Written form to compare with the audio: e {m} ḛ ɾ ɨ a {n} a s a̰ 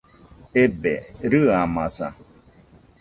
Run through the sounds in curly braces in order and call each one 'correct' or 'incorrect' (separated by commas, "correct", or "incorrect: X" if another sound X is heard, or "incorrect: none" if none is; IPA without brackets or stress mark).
incorrect: b, incorrect: m